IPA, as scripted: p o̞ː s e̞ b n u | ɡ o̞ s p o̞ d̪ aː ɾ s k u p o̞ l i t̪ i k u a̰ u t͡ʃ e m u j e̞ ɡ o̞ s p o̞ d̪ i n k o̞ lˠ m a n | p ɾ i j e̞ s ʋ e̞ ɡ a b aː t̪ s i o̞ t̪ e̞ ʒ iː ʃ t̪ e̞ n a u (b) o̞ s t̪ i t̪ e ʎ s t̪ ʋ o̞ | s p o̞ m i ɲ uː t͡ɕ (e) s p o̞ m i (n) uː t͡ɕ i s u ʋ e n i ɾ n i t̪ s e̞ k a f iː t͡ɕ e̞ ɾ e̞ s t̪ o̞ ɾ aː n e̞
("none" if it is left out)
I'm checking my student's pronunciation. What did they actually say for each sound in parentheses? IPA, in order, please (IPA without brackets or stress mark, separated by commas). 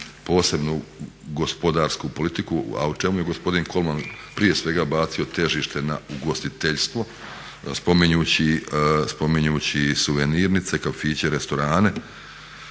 ɡ, i, ɲ